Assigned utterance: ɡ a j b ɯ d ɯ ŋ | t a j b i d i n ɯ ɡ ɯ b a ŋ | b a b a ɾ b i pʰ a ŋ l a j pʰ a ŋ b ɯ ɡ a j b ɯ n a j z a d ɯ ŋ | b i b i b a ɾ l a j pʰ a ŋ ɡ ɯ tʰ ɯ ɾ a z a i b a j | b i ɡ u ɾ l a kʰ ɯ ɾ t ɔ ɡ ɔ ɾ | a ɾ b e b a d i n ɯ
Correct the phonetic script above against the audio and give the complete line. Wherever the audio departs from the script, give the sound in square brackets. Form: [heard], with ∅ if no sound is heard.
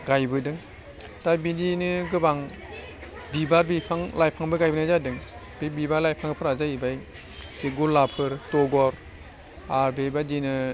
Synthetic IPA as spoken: ɡ a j b ɯ d ɯ ŋ | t a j b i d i n ɯ ɡ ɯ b a ŋ | b [i] b a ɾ b i pʰ a ŋ l a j pʰ a ŋ b ɯ ɡ a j b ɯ n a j z a d ɯ ŋ | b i b i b a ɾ l a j pʰ a ŋ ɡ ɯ [pʰ] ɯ ɾ a z a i b a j | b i ɡ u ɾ l a [pʰ] ɯ ɾ t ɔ ɡ ɔ ɾ | a ɾ b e b a d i n ɯ